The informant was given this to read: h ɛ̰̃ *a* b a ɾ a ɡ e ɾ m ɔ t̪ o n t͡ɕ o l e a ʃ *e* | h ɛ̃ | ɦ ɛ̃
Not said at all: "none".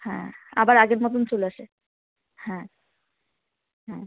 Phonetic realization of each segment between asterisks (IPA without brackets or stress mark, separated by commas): a, e